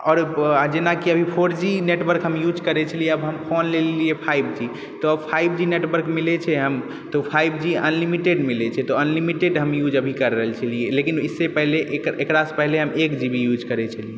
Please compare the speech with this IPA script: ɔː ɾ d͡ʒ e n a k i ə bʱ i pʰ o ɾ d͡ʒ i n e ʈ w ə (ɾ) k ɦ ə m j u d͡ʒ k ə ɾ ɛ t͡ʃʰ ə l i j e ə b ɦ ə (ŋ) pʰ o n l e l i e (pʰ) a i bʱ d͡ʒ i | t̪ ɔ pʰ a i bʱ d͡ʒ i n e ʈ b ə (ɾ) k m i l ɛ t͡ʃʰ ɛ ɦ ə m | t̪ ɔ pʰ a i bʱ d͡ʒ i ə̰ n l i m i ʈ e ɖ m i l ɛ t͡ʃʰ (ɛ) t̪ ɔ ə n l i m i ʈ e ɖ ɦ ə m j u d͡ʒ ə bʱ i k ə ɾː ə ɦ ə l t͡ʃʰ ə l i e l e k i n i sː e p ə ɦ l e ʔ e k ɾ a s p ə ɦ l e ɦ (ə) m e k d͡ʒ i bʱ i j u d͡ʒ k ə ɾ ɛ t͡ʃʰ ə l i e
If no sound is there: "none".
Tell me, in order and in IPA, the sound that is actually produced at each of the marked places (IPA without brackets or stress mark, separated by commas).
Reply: ɾ, m, pʰ, ɾ, ɛ, ə